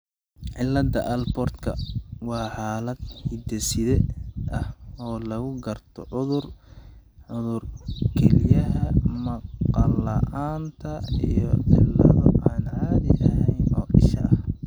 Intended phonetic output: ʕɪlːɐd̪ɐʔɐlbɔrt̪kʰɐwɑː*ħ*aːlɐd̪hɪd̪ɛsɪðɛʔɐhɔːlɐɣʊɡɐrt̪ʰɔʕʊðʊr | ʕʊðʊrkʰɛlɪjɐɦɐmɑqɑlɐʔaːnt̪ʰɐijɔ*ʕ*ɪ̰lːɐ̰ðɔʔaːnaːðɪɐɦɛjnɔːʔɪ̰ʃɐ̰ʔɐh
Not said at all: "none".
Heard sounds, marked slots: ħ, ʕ

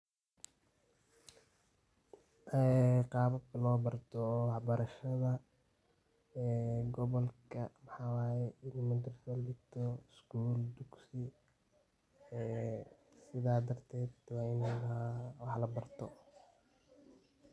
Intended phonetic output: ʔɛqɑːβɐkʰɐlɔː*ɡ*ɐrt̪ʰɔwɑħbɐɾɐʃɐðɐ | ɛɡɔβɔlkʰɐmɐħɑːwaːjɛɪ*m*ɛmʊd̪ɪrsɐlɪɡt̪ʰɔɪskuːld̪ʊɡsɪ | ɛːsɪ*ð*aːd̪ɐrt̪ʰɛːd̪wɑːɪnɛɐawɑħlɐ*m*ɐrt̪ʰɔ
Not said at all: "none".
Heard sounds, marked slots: b, n, ð, b

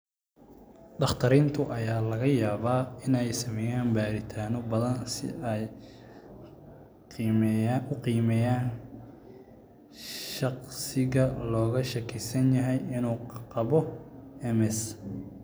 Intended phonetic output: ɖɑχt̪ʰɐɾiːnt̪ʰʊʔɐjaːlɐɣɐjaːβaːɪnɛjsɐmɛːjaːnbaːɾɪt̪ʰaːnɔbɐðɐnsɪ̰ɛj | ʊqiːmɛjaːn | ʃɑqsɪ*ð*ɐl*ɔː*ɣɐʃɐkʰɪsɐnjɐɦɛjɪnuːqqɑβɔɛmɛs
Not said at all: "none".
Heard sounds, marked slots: ɣ, ɔː

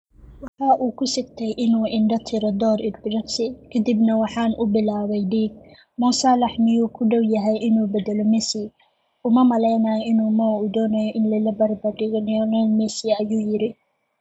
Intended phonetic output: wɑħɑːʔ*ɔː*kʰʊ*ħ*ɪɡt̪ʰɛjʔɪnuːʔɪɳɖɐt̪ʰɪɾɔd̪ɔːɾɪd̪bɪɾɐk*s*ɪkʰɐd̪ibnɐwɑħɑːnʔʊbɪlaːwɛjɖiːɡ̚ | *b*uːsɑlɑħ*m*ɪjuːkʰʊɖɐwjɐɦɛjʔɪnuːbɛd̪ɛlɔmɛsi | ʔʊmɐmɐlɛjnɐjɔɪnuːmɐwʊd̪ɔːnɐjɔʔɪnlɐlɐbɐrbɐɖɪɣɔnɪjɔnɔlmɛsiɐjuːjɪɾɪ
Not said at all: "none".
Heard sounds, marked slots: uː, s, s, m, m

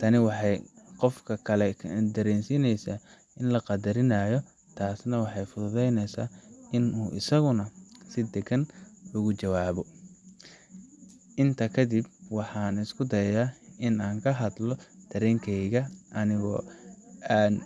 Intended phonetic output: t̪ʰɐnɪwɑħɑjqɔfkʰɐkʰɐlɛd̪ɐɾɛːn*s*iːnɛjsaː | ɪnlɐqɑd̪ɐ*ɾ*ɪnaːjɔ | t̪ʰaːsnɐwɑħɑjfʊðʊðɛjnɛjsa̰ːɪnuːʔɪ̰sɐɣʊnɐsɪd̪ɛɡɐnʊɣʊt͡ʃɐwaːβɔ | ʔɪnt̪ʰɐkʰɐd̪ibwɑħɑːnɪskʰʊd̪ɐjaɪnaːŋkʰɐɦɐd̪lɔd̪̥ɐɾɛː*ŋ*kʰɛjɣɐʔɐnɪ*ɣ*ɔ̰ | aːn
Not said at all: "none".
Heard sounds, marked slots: s, ɾ, ŋ, ɣ

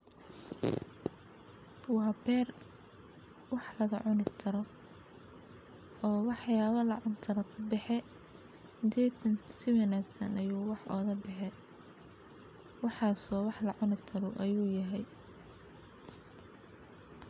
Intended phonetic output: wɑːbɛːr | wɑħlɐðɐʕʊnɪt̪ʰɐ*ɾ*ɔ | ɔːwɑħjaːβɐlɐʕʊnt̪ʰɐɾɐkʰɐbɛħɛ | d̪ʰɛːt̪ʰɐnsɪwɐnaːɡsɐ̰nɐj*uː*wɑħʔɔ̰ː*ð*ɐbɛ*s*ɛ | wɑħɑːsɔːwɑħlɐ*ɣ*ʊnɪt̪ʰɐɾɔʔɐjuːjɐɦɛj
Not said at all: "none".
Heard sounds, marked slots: ɾ, uː, ð, ħ, ʕ

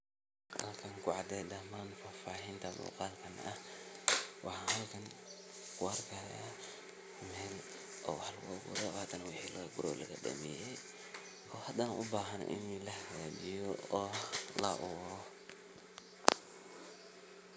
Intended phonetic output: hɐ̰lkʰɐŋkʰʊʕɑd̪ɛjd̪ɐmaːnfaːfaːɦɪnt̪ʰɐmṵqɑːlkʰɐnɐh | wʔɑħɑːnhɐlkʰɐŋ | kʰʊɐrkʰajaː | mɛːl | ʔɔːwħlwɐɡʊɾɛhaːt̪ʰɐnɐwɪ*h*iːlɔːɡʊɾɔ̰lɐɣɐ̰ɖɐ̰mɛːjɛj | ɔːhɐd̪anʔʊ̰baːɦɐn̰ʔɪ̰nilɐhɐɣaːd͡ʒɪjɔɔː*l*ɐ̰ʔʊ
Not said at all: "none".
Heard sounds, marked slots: ħ, l

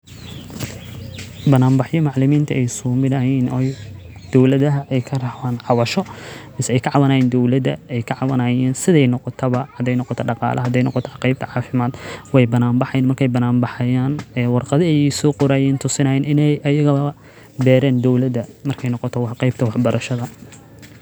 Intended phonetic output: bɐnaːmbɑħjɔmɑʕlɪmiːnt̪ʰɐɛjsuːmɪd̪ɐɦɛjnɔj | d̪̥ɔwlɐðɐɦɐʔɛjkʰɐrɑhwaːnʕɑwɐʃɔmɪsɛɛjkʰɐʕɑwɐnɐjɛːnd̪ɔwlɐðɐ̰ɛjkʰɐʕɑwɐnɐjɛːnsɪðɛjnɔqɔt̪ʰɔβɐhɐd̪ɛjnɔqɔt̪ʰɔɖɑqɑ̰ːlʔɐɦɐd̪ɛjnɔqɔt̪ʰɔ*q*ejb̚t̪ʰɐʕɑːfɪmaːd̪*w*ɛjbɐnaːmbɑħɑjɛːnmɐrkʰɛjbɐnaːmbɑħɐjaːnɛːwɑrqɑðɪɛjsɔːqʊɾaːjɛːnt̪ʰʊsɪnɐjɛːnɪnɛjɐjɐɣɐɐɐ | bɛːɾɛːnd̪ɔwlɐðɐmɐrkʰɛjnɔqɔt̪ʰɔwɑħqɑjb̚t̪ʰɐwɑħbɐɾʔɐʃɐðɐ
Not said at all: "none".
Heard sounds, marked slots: q, w

